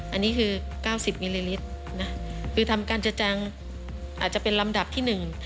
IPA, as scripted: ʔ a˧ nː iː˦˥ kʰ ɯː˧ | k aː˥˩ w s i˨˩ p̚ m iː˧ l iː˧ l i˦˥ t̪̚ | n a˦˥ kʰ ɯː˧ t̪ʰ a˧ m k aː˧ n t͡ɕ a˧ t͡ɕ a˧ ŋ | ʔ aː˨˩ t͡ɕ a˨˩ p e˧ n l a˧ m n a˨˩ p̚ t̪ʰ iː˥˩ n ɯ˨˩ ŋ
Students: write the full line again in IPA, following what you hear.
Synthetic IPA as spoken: ʔ a˧ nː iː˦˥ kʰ ɯː˧ | k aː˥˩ w s i˨˩ p̚ m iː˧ l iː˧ l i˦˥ t̪̚ | n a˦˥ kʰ ɯː˧ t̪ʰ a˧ m k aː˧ n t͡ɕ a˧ t͡ɕ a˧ ŋ | ʔ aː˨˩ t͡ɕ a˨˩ p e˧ n l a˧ m d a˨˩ p̚ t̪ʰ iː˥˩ n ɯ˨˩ ŋ